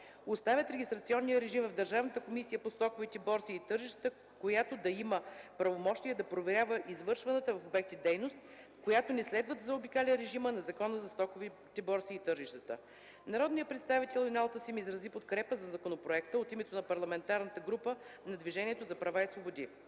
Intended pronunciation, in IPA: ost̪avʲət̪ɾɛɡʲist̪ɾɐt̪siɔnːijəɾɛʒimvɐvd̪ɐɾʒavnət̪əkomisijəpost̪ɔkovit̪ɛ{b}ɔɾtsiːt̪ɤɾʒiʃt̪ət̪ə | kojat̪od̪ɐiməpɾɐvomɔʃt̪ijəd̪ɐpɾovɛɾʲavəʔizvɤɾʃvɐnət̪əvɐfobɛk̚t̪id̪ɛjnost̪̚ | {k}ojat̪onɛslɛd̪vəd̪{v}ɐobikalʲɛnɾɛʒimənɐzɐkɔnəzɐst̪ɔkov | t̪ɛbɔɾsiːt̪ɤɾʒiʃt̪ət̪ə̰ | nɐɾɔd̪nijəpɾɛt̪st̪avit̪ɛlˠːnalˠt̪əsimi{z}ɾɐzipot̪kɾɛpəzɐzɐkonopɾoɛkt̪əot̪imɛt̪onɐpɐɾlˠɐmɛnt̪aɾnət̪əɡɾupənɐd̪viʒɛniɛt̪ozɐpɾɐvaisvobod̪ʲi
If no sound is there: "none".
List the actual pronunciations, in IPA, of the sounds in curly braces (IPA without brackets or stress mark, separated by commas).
b, k, z, z